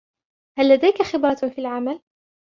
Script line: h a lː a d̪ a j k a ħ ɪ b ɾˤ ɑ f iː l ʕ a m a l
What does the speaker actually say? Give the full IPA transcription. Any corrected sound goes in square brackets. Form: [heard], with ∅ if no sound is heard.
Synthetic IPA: h a lː a d̪ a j k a [x] ɪ b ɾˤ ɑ f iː l ʕ a m a l